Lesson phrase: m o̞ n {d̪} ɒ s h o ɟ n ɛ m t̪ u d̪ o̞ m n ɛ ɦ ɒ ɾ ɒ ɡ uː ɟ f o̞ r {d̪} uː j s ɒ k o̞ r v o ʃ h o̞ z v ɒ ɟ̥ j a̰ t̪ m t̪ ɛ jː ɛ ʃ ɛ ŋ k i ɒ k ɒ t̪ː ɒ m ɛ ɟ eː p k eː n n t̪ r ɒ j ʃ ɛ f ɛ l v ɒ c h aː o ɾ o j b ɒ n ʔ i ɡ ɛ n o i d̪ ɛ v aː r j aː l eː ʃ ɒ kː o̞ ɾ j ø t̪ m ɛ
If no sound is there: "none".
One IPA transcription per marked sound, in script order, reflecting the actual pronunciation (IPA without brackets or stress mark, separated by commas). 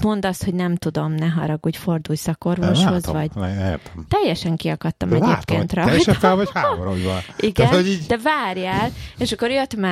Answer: d̪, d̪